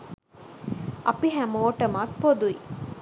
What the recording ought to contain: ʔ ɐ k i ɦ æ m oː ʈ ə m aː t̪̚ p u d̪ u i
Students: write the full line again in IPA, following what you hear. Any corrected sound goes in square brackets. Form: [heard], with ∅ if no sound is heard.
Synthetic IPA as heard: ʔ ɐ [p] i ɦ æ m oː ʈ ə m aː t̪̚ p [o] d̪ u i